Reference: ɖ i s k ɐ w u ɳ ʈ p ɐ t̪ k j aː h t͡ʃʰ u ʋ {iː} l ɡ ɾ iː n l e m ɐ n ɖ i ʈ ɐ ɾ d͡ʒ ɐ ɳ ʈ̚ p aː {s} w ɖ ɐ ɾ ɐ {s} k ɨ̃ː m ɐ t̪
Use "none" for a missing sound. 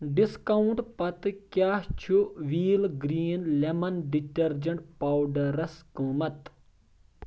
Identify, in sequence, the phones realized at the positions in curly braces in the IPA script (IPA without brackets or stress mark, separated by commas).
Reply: iː, none, s